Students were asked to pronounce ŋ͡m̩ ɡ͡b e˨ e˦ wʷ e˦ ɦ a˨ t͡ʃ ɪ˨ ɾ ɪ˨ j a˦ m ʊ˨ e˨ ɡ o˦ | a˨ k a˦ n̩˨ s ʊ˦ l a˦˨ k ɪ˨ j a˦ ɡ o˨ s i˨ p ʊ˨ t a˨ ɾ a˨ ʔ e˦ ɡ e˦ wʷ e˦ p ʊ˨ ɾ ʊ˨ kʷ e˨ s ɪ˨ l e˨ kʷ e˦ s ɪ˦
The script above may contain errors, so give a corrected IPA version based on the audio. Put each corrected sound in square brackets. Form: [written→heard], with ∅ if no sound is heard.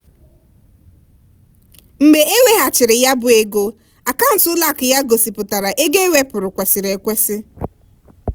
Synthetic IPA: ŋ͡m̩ ɡ͡b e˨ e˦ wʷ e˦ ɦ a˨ t͡ʃ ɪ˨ ɾ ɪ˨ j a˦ [m→b] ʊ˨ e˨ ɡ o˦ | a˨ k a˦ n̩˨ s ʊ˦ l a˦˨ k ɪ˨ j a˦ ɡ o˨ s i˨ p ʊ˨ t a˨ ɾ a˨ ʔ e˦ ɡ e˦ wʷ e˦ p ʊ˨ ɾ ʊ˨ kʷ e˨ s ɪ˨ [l→ɾ] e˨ kʷ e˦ s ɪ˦